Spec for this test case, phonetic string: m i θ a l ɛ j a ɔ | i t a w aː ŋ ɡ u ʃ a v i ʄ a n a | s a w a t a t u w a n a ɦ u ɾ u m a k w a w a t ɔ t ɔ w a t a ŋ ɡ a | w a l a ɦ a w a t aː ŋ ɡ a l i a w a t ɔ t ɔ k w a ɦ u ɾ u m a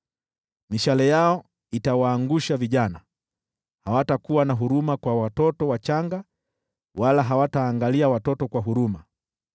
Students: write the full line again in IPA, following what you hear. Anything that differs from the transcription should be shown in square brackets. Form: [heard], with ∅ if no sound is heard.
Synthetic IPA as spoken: m i [ʃ] a l ɛ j a ɔ | i t a w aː ŋ ɡ u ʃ a v i ʄ a n a | [h] a w a t a [k] u w a n a ɦ u ɾ u m a k w a w a t ɔ t ɔ w a [t͡ʃ] a ŋ ɡ a | w a l a ɦ a w a t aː ŋ ɡ a l i a w a t ɔ t ɔ k w a ɦ u ɾ u m a